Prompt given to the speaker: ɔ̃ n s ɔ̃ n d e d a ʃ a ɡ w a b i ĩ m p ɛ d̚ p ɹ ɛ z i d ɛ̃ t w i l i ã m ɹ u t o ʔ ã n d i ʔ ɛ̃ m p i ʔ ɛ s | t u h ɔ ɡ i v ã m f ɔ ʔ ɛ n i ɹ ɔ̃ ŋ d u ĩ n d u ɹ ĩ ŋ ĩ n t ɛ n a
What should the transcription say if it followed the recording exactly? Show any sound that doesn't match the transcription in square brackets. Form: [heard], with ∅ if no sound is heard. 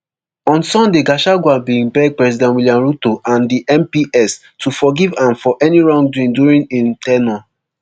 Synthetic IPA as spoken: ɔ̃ n s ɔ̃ n d e [ɡ] a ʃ a ɡ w a b i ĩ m p ɛ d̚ p ɹ ɛ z i d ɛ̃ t w i l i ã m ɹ u t o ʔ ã n d i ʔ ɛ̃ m p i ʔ ɛ s | t u [f] ɔ ɡ i v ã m f ɔ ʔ ɛ n i ɹ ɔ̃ ŋ d u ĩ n d u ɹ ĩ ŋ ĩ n t ɛ n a